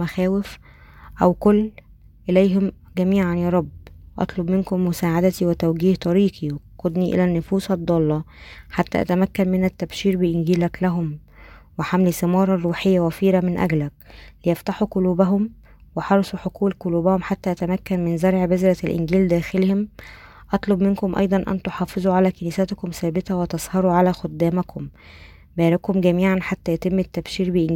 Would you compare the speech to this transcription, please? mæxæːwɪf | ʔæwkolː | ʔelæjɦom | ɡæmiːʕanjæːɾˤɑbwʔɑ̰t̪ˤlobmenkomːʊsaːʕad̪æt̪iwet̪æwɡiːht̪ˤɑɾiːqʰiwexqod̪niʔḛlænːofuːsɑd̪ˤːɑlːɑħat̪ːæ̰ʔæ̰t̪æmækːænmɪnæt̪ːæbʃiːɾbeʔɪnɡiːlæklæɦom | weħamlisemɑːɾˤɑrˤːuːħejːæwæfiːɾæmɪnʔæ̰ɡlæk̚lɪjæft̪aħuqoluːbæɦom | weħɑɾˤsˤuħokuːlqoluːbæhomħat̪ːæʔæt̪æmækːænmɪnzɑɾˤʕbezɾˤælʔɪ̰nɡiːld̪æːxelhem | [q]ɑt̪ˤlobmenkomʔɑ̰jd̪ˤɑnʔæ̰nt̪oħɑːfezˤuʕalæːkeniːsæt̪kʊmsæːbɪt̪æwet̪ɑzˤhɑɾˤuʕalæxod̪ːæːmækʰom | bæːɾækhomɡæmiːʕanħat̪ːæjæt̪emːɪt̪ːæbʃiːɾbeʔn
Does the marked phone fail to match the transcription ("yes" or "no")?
yes